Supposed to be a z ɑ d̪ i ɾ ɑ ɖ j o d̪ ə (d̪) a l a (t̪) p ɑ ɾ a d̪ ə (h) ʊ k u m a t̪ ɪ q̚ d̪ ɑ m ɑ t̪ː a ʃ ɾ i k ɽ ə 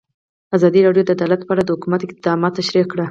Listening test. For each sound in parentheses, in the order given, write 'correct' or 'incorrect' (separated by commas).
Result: correct, correct, correct